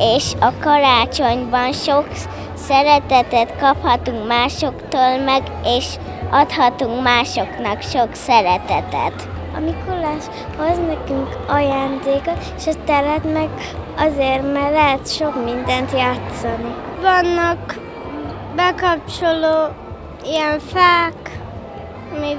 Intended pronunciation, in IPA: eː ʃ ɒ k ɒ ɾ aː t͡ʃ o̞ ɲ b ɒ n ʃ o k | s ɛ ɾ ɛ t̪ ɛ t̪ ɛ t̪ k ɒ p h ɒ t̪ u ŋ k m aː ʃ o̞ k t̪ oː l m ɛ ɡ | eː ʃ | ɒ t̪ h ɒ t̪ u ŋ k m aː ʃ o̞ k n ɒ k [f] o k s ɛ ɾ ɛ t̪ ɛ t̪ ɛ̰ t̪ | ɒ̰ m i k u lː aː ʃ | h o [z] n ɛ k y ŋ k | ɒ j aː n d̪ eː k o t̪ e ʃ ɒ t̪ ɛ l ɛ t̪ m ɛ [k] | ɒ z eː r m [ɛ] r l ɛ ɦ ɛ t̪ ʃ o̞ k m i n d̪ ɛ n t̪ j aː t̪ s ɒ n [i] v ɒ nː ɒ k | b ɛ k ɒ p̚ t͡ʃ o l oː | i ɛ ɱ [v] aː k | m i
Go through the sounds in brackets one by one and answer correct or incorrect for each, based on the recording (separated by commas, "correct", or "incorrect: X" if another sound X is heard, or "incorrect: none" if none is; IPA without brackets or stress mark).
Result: incorrect: ʃ, correct, incorrect: ɡ, correct, correct, incorrect: f